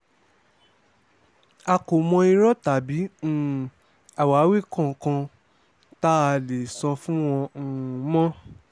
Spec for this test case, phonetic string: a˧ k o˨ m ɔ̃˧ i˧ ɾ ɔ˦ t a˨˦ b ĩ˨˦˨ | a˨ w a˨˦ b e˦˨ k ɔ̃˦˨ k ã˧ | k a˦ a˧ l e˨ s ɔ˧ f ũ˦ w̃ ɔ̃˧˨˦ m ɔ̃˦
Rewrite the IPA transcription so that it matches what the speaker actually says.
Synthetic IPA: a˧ k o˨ m ɔ̃˧ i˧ ɾ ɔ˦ t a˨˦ b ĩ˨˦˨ | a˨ w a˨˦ w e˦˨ k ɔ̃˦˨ k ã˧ | t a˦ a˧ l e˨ s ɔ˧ f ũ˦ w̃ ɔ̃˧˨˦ m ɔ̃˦